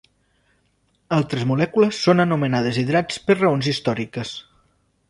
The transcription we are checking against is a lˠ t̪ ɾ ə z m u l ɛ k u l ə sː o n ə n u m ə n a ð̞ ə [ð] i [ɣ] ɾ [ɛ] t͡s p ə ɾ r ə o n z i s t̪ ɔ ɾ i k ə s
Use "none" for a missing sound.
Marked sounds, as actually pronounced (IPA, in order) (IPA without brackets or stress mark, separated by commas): z, ð, a